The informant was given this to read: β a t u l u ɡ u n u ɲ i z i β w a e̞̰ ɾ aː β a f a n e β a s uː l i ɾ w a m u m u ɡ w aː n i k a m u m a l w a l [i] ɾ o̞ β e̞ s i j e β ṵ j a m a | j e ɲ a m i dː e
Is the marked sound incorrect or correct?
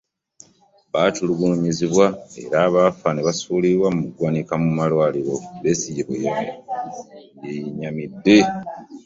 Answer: correct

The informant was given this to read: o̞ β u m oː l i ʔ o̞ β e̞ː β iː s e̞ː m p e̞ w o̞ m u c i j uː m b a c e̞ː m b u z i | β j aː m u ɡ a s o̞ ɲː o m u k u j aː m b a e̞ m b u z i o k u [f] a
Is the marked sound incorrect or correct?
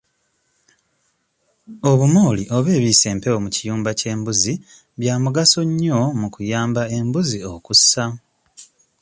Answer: incorrect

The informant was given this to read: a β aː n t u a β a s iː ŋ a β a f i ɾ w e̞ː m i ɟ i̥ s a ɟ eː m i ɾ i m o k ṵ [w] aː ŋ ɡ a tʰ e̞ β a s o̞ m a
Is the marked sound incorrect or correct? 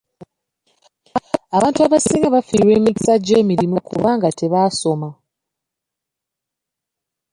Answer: incorrect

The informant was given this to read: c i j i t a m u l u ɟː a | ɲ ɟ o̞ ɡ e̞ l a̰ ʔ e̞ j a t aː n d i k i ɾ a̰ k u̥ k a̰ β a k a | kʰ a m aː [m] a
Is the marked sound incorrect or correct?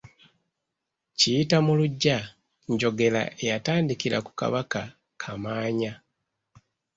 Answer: incorrect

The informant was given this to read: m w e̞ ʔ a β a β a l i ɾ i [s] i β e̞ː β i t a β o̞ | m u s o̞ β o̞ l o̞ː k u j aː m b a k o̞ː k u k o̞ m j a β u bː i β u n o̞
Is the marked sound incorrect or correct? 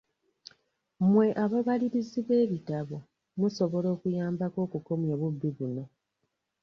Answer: incorrect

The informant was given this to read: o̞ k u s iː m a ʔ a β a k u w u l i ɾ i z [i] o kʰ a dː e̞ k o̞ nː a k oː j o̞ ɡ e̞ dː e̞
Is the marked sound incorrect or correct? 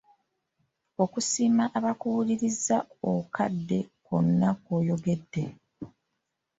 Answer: incorrect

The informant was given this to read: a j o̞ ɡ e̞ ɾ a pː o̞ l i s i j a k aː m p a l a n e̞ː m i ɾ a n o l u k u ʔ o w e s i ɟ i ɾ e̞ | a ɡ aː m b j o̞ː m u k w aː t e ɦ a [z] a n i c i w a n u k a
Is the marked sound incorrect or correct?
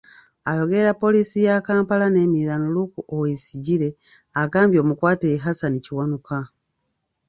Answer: incorrect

